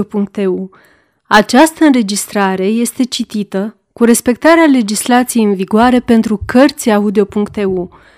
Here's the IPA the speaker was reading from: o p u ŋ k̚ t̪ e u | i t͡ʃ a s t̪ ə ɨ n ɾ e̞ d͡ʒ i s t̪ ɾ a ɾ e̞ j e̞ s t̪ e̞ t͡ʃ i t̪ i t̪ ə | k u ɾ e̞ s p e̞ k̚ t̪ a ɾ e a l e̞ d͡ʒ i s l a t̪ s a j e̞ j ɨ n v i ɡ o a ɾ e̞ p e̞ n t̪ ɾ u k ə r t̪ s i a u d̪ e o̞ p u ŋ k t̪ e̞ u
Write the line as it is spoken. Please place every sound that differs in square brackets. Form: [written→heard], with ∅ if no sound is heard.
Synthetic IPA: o p u ŋ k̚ t̪ e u | [i→a] t͡ʃ a s t̪ ə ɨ n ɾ e̞ d͡ʒ i s t̪ ɾ a ɾ e̞ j e̞ s t̪ e̞ t͡ʃ i t̪ i t̪ ə | k u ɾ e̞ s p e̞ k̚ t̪ a ɾ e a l e̞ d͡ʒ i s l a t̪ s [a→i] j e̞ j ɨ n v i ɡ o a ɾ e̞ p e̞ n t̪ ɾ u k ə r t̪ s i a u d̪ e o̞ p u ŋ k t̪ e̞ u